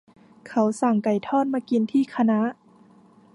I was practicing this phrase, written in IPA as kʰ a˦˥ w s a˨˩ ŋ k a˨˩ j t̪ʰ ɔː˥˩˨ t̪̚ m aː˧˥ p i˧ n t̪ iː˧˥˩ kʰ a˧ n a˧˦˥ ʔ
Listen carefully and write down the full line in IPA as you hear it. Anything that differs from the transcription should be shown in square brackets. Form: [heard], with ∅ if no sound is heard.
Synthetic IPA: kʰ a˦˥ w s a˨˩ ŋ k a˨˩ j t̪ʰ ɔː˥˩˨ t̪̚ m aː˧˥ [k] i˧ n [t̪ʰ] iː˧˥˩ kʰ a˧ n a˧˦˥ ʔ